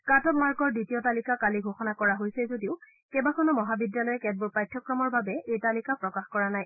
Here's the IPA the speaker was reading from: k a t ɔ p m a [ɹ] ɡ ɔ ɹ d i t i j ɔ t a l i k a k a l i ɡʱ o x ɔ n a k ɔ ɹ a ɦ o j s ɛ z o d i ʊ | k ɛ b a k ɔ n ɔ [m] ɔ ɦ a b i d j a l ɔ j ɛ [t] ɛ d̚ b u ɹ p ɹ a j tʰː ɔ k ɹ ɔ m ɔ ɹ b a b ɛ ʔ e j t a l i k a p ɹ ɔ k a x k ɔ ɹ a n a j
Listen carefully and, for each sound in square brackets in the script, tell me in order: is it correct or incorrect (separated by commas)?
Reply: correct, correct, incorrect